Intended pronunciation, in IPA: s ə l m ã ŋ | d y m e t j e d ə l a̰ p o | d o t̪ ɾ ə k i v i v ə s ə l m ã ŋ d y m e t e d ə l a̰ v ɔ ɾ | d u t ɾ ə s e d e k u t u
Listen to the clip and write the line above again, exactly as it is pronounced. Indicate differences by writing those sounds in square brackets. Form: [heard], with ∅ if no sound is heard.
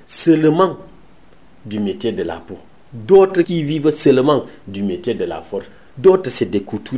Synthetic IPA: s ə l m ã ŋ | d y m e t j e d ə l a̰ p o | d o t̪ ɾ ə k i v i v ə s ə l m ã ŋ d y m e t e d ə l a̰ [f] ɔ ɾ | d [o] t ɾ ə s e d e k u t u